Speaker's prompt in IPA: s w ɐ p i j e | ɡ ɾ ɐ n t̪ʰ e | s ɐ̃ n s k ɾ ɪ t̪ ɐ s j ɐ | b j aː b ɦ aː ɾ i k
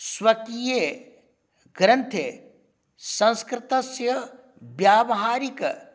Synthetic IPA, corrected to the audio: s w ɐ k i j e | ɡ ɾ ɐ n t̪ʰ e | s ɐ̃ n s k ɾ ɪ t̪ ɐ s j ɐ | b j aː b ɦ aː ɾ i k